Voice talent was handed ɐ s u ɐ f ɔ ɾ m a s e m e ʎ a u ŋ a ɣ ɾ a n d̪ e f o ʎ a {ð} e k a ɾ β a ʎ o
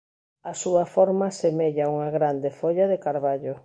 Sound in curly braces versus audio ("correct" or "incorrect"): correct